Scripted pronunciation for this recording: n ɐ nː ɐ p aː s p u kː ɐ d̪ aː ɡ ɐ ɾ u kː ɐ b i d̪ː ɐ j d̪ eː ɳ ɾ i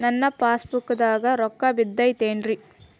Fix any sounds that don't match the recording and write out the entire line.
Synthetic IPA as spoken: n ɐ nː ɐ p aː s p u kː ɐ d̪ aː ɡ ɐ ɾ ɔ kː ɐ b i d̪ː ɐ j t̪ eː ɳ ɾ i